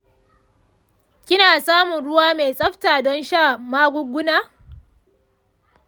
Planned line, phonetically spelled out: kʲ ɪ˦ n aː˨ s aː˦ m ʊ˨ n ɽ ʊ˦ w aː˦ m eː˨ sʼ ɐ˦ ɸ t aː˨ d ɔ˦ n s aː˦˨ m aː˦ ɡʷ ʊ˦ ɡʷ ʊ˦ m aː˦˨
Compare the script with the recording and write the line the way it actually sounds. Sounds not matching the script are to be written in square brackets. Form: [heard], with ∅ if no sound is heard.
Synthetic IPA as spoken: kʲ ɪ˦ n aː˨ s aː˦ m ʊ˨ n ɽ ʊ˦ w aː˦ m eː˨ sʼ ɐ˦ ɸ t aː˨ d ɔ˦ n [ʃ] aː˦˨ m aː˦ ɡʷ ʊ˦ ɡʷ ʊ˦ [n] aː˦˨

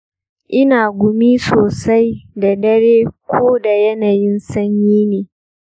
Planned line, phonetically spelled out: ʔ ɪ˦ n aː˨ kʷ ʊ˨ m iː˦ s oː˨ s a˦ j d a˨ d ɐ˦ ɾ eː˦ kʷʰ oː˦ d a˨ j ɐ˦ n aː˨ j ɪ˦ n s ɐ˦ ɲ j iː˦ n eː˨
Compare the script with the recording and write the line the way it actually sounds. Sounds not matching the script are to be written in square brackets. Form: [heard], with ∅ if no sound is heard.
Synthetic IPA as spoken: ʔ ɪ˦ n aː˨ [ɡʷ] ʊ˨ m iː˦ s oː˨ s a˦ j d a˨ d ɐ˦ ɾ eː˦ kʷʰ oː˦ d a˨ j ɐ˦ n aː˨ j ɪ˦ n s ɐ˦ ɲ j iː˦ n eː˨

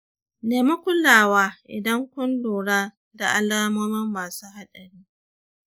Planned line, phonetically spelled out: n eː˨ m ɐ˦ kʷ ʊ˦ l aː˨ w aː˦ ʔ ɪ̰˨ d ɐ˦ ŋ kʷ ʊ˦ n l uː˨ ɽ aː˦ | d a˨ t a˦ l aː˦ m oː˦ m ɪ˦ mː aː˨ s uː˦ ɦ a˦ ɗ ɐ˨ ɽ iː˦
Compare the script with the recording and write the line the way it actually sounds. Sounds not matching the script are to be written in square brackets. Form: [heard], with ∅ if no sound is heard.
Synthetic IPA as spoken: n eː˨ m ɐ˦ kʷ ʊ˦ l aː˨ w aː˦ ʔ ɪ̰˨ d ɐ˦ ŋ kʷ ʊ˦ n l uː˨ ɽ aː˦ | d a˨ [ʔ] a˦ l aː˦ m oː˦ m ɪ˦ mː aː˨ s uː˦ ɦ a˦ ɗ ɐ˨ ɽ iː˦

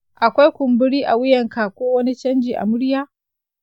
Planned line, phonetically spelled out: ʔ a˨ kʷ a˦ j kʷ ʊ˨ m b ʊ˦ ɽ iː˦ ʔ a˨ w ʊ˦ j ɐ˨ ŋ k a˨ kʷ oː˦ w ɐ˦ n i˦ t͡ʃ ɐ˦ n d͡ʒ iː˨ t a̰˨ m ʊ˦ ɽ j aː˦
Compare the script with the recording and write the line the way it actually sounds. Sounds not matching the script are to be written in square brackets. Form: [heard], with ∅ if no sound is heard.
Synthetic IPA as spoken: ʔ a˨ kʷ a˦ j kʷ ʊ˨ m b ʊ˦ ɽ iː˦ ʔ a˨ w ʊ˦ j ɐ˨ ŋ k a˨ kʷ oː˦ w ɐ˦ n i˦ t͡ʃ ɐ˦ n d͡ʒ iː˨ [ʔ] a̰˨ m ʊ˦ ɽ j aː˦

